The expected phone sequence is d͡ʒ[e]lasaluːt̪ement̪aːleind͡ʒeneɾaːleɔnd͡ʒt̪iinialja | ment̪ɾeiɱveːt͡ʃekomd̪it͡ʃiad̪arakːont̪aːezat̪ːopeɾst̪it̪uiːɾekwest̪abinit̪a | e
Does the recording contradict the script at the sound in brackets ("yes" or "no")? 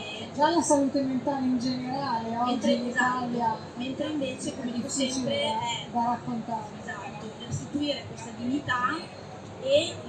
yes